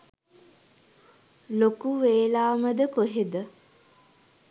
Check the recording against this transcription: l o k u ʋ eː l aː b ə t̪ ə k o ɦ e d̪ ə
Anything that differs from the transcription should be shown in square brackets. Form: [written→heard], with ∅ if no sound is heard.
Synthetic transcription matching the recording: l o k u ʋ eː l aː [b→m] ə [t̪→d̪] ə k o ɦ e d̪ ə